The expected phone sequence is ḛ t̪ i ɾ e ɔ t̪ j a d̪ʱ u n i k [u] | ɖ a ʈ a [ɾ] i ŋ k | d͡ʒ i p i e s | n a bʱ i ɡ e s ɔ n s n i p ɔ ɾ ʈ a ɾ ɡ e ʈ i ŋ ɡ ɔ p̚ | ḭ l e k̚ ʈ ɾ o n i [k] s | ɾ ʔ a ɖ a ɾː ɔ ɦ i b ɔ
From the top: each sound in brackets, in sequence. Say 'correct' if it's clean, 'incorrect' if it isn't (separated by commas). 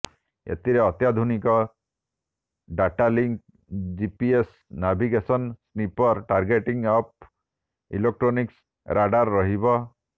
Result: incorrect, incorrect, correct